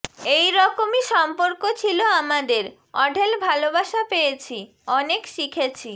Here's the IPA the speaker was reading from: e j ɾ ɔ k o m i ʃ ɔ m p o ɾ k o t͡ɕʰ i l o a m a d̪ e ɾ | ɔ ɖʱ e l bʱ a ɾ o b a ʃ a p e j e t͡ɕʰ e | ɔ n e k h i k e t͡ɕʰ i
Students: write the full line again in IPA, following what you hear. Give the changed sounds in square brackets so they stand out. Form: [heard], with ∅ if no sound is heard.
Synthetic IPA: e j ɾ ɔ k o m i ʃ ɔ m p o ɾ k o t͡ɕʰ i l o a m a d̪ e ɾ | ɔ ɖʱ e l bʱ a [l] o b a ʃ a p e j e t͡ɕʰ [i] | ɔ n e k [ʃ] i [kʰ] e t͡ɕʰ i

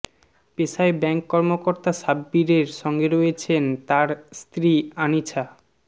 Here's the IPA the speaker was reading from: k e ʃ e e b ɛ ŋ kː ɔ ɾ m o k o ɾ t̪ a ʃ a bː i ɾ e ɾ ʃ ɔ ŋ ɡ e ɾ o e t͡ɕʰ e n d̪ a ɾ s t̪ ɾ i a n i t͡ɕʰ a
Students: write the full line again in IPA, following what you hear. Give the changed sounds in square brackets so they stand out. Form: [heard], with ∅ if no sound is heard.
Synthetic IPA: [p] e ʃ [a] e b ɛ ŋ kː ɔ ɾ m o k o ɾ t̪ a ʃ a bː i ɾ e ɾ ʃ ɔ ŋ ɡ e ɾ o e t͡ɕʰ e n [t̪] a ɾ s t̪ ɾ i a n i t͡ɕʰ a

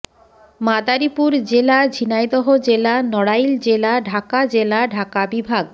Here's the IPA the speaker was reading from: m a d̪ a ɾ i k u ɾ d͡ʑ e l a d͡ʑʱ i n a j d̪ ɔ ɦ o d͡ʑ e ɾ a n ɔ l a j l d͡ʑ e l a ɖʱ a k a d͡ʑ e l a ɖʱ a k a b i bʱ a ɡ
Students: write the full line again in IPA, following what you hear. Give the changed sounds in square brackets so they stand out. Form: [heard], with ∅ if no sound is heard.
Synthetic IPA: m a d̪ a ɾ i [p] u ɾ d͡ʑ e l a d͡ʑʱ i n a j d̪ ɔ ɦ o d͡ʑ e [l] a n ɔ [ɽ] a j l d͡ʑ e l a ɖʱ a k a d͡ʑ e l a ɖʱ a k a b i bʱ a ɡ

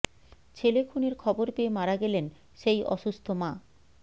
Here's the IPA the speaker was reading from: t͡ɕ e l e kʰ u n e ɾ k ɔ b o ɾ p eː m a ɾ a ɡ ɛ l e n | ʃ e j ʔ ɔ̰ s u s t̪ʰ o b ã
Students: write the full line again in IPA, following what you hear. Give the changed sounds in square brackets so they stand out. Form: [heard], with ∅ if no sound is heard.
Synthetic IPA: [t͡ɕʰ] e l e kʰ u n e ɾ [kʰ] ɔ b o ɾ p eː m a ɾ a ɡ ɛ l e n | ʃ e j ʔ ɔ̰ [ʃ] u s t̪ʰ o [m] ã

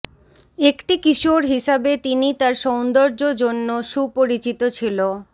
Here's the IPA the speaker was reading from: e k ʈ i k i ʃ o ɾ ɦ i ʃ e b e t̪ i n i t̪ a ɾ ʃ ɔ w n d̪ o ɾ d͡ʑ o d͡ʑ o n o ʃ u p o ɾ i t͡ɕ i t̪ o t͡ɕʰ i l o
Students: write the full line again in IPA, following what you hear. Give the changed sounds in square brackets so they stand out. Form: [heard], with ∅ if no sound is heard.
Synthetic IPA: e k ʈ i k i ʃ o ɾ ɦ i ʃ [a] b e t̪ i n i t̪ a ɾ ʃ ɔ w n d̪ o ɾ d͡ʑ o d͡ʑ o [nː] o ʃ u p o ɾ i t͡ɕ i t̪ o t͡ɕʰ i l o

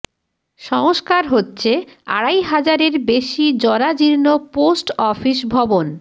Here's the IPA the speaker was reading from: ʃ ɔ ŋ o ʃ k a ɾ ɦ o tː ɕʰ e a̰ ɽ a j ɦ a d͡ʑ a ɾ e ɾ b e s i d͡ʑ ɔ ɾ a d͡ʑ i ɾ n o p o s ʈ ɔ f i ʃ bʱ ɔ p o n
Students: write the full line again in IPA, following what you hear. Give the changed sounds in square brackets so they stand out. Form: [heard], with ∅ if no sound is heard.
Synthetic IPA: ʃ ɔ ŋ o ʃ k a ɾ ɦ o tː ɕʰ e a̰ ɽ a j ɦ a d͡ʑ a ɾ e ɾ b e [ʃ] i d͡ʑ ɔ ɾ a d͡ʑ i ɾ n o p o s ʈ ɔ f i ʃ bʱ ɔ [b] o n

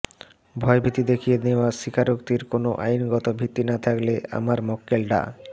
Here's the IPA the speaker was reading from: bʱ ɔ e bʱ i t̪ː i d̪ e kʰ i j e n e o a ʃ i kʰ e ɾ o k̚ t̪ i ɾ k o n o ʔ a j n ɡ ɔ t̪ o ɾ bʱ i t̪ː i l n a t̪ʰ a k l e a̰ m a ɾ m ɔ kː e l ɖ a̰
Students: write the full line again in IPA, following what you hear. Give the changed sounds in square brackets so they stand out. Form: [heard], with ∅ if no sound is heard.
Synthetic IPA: bʱ ɔ e bʱ i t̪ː i d̪ e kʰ i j e n e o a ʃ i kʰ [a] ɾ o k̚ t̪ i ɾ k o n o ʔ a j n ɡ ɔ t̪ o [∅] bʱ i t̪ː i [∅] n a t̪ʰ a k l e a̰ m a ɾ m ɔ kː e l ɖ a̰

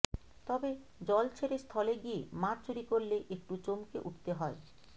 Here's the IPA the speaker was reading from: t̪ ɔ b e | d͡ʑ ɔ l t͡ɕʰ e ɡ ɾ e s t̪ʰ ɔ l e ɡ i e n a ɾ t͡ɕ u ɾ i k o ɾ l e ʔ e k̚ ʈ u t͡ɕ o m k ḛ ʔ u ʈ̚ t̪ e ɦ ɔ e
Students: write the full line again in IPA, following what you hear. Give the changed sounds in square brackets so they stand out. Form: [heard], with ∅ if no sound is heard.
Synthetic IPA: t̪ ɔ b e | d͡ʑ ɔ l t͡ɕʰ e [∅] ɾ e s t̪ʰ ɔ l e ɡ i e [m] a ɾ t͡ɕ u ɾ i k o ɾ l e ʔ e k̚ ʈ u t͡ɕ o m k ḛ ʔ u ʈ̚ t̪ e ɦ ɔ e

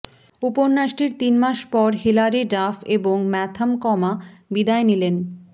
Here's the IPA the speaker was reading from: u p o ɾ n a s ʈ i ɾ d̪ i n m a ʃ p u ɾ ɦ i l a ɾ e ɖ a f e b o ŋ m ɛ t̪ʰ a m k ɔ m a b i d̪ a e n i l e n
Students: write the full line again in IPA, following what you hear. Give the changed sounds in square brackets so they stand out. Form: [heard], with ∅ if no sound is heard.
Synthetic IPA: u p o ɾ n a [ʃ] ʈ i ɾ [t̪] i n m a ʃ p [ɔ] ɾ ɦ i l a ɾ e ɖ a f e b o ŋ m ɛ t̪ʰ a m k ɔ m a b i d̪ a e n i l e n

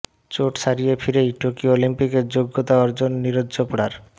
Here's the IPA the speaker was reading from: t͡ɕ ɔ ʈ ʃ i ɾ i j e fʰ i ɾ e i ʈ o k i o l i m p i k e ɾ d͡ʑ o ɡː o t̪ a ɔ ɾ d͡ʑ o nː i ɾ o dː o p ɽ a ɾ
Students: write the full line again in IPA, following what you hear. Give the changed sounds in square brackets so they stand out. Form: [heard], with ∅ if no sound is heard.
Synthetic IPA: t͡ɕ [o] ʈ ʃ [a] ɾ i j e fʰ i ɾ e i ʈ o k i o l i m p i k e ɾ d͡ʑ o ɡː o t̪ a ɔ ɾ d͡ʑ o nː i ɾ o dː o p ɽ a ɾ

